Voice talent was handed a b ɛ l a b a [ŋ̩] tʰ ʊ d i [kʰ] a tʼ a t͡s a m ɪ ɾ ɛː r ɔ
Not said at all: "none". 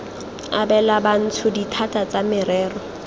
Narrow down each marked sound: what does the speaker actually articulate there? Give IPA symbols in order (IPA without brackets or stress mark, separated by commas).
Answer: n̩, tʰ